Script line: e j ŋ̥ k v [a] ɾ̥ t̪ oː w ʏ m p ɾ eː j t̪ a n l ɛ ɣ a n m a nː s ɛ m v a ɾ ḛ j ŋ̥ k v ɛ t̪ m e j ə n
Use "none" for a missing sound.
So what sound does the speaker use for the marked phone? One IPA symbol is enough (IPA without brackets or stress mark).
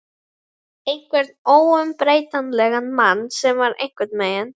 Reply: ɛ